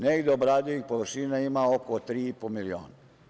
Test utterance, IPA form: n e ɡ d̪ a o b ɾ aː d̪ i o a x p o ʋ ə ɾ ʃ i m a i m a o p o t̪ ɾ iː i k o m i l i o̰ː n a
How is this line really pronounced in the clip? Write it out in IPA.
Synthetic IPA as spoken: n e ɡ d̪ e o b ɾ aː d̪ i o i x p o ʋ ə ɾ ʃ i n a i m a o k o t̪ ɾ iː i p o m i l i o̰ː n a